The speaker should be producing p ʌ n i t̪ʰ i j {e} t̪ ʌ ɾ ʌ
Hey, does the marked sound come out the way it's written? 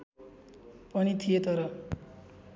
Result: yes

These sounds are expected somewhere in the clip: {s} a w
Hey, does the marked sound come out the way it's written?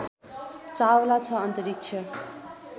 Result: no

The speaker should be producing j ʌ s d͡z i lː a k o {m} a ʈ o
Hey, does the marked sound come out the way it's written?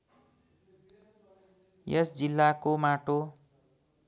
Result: yes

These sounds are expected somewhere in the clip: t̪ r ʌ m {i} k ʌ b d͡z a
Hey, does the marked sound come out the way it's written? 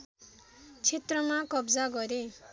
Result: no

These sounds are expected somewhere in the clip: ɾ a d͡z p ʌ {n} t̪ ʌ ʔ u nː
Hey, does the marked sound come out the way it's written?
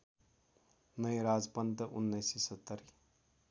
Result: yes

